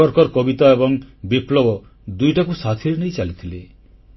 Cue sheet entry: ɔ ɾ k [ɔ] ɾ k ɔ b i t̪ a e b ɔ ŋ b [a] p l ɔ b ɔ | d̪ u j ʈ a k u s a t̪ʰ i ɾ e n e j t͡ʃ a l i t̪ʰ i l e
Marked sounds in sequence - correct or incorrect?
correct, incorrect

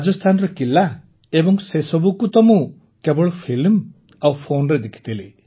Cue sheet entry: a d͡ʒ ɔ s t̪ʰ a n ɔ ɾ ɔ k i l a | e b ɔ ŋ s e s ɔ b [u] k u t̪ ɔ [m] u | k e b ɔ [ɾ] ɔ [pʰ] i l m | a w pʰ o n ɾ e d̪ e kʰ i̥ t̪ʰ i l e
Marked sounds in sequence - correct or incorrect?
correct, correct, incorrect, correct

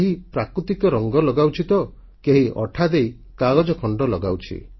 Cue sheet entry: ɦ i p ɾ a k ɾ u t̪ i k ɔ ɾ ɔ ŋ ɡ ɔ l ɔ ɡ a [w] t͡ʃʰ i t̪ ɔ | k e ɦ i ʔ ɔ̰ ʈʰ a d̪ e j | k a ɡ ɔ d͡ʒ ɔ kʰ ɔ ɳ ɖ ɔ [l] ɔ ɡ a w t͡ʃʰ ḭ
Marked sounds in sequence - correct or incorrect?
correct, correct

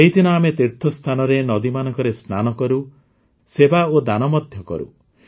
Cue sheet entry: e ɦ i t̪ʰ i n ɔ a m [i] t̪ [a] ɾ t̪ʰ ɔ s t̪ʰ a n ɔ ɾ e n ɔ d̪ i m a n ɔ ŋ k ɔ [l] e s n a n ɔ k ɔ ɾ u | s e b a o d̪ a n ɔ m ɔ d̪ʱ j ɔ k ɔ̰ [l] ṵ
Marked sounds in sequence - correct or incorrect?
incorrect, incorrect, incorrect, incorrect

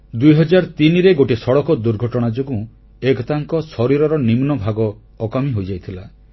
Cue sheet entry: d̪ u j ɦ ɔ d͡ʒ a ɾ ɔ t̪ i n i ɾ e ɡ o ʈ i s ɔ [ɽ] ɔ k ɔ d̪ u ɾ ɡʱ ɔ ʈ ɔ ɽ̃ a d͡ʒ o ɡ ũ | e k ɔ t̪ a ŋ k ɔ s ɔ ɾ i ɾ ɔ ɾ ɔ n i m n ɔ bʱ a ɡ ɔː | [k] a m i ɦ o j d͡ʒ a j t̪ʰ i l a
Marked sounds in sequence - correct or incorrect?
correct, correct

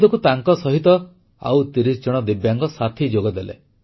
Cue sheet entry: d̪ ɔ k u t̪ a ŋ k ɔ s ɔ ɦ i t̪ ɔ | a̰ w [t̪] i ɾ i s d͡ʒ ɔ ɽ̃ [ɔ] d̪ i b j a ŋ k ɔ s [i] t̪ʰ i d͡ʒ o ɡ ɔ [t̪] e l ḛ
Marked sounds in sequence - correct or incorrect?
correct, correct, incorrect, incorrect

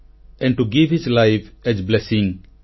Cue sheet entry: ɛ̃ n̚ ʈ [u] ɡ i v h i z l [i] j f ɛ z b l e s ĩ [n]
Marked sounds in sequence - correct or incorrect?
correct, incorrect, incorrect

